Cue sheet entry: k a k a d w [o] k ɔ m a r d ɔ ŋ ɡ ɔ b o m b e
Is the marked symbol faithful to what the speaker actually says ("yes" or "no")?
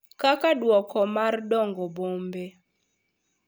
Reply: no